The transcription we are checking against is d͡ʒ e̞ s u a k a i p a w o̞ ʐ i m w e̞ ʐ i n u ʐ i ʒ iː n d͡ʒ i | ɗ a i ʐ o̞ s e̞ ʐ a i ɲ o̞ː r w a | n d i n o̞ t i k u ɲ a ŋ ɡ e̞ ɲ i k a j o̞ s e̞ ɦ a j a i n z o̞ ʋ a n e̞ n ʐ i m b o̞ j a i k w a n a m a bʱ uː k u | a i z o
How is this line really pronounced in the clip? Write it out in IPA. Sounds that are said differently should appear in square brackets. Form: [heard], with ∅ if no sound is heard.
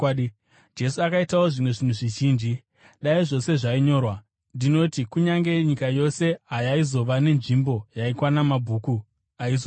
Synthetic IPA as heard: d͡ʒ e̞ s u a k a i [t] a w o̞ ʐ i m w e̞ ʐ i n u ʐ i ʒ iː n d͡ʒ i | ɗ a i ʐ o̞ s e̞ ʐ a i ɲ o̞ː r w a | n d i n o̞ t i k u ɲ a ŋ ɡ e̞ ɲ i k a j o̞ s e̞ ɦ a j a i [∅] z o̞ ʋ a n e̞ n ʐ i m b o̞ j a i k w a n a m a bʱ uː k u | a i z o